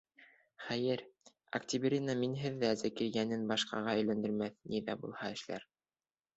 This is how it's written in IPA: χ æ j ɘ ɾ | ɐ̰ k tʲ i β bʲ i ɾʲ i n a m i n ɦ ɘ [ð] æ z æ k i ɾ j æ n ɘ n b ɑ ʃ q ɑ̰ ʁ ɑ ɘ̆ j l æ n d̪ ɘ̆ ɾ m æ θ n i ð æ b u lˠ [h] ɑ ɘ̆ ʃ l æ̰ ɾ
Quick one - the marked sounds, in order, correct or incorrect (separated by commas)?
incorrect, correct